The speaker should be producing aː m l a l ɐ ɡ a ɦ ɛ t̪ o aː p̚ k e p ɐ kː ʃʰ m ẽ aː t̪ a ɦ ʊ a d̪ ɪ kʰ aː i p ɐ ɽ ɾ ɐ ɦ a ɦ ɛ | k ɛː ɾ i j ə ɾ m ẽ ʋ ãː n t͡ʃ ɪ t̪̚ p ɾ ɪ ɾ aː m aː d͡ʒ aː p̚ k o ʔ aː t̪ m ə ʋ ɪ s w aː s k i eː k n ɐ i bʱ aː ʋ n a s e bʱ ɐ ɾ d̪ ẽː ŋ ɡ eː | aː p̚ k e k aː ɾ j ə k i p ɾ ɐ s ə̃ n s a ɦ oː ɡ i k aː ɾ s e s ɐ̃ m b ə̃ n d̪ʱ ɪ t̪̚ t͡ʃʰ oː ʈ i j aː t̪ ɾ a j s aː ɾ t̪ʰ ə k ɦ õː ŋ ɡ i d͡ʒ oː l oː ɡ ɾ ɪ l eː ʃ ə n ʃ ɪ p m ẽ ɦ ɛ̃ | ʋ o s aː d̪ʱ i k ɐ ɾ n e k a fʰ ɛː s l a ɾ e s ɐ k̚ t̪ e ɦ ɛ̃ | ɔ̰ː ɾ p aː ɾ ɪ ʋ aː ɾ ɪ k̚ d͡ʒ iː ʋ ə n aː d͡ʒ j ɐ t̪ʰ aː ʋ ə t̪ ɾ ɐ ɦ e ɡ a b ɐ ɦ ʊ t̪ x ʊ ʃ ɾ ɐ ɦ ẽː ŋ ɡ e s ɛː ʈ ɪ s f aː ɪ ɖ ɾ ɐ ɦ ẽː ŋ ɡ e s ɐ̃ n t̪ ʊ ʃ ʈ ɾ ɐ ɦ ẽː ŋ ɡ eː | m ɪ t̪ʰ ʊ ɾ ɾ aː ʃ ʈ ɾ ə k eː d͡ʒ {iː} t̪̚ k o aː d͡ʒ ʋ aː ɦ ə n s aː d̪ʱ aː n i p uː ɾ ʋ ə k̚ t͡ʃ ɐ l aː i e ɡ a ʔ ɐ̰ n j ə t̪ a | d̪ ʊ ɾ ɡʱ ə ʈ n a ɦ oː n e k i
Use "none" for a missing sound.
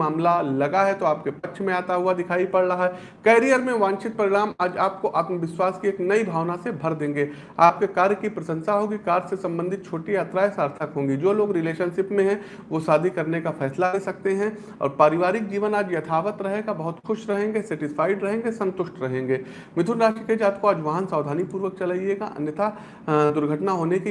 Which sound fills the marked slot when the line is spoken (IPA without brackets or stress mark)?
aː